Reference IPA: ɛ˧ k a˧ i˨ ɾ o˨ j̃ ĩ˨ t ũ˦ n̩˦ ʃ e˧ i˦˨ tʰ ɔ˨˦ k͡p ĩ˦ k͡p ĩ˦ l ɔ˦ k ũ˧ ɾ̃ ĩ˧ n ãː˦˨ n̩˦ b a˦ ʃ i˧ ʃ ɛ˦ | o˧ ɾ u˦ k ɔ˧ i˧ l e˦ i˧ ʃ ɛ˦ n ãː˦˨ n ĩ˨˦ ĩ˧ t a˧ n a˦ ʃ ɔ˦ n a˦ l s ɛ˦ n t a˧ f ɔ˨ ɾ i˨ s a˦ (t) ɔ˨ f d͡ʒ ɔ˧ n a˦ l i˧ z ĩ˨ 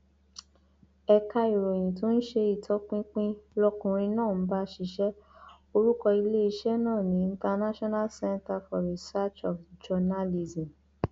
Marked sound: incorrect: t͡ʃ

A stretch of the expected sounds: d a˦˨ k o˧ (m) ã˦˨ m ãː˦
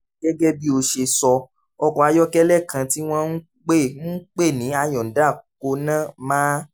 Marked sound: incorrect: n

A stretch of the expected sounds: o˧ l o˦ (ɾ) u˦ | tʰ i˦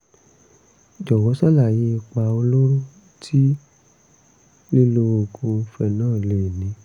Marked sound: correct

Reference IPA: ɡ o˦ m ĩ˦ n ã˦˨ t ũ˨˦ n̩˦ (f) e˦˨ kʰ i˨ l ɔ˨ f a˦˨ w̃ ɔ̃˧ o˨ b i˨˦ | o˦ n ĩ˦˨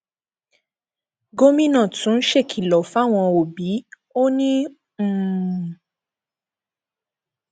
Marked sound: incorrect: ʃ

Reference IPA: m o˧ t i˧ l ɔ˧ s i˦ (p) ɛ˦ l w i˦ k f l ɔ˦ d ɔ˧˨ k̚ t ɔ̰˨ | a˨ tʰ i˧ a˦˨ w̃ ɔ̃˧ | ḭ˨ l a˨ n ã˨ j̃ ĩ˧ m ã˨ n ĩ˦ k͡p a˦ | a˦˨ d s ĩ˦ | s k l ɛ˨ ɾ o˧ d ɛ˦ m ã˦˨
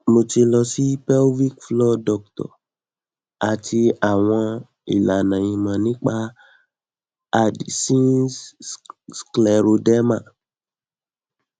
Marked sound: correct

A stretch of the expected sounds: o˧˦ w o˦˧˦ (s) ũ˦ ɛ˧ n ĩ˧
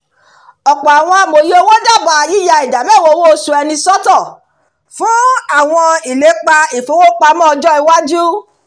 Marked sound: correct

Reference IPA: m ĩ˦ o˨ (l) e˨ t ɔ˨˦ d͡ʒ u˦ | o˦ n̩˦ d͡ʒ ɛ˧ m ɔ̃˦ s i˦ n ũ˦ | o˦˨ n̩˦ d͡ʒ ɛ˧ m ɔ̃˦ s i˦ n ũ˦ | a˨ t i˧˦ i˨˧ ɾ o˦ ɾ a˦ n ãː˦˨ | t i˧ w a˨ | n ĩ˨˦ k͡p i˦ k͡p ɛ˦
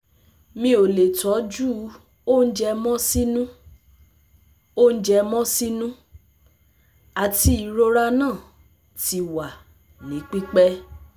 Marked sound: correct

